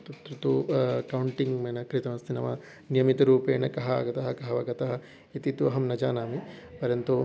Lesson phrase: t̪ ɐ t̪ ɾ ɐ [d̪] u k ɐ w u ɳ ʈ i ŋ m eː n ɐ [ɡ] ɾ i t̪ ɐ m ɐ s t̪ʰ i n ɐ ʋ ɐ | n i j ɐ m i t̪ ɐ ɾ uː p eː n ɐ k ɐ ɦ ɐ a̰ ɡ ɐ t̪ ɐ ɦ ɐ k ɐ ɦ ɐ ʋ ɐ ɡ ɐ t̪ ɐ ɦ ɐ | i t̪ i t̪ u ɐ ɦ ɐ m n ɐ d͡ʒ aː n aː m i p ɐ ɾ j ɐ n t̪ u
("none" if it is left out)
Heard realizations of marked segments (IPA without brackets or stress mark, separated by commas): t̪, k